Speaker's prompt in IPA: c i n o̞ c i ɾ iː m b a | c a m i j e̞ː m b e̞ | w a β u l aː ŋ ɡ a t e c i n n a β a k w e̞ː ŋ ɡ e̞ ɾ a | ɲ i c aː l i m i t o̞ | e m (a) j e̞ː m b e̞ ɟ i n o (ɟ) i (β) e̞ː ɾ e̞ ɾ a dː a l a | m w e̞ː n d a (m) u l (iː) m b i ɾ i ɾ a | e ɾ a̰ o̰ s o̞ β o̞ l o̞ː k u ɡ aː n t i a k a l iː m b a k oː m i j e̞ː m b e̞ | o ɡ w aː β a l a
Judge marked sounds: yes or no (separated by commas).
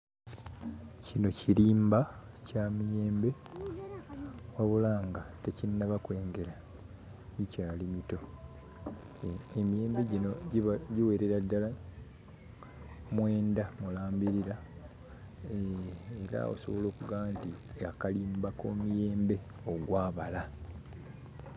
no, yes, no, yes, no